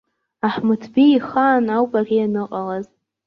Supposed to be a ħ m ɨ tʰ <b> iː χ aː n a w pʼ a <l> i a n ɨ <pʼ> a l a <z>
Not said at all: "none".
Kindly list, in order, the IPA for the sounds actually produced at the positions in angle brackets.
b, r, qʼ, z

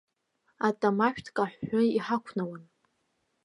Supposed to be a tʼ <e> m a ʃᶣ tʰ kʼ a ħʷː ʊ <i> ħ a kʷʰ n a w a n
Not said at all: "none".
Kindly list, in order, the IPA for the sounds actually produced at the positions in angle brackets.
a, i

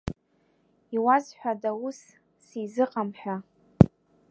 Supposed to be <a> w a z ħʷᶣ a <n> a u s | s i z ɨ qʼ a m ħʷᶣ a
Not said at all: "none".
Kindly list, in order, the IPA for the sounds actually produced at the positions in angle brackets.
i, d

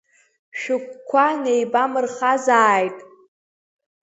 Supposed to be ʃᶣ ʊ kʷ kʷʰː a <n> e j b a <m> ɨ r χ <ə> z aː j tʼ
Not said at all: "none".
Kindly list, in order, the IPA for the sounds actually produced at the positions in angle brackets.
n, m, a

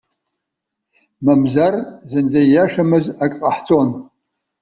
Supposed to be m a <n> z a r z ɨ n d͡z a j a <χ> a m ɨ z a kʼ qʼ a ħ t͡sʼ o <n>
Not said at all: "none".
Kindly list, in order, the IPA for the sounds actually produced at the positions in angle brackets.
m, ʂ, n

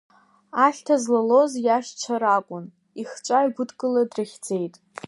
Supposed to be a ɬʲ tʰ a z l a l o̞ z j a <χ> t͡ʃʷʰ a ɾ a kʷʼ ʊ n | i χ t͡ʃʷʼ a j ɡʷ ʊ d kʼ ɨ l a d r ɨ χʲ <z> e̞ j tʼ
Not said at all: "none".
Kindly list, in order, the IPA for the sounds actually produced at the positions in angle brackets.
ʃ, d͡z

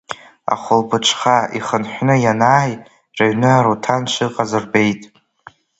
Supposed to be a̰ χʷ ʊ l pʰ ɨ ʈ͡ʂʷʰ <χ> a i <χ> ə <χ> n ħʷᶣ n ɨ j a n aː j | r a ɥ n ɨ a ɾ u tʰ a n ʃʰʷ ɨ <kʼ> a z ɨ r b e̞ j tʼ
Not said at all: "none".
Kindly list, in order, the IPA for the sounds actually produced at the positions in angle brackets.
χ, χ, none, qʼ

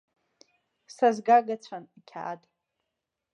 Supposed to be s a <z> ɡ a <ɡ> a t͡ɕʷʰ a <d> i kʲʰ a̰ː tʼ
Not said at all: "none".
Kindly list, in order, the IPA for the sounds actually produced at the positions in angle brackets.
z, ɡ, n

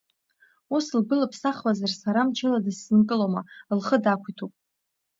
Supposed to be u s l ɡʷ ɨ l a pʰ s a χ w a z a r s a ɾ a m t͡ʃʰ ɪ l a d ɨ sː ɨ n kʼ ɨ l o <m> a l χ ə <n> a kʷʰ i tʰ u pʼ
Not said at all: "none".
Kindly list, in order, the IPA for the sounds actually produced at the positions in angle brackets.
m, d

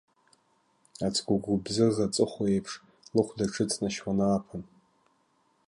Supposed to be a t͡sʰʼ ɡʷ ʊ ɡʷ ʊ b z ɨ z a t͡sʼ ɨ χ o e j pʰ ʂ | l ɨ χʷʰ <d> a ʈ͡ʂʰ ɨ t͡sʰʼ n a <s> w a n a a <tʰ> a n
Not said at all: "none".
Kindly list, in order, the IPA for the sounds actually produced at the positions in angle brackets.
d, ʃ, pʰ

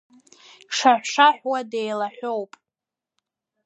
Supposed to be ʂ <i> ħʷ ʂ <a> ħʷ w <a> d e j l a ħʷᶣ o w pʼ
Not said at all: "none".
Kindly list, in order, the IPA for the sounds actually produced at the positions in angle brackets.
a, a, a

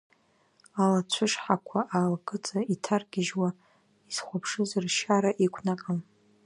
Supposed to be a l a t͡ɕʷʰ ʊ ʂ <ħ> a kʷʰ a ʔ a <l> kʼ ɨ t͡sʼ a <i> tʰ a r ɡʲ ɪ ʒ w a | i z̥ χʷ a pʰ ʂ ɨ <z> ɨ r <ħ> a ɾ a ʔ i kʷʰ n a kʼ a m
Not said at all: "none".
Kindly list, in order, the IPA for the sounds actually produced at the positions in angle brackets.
ħ, l, i, z, ʃ

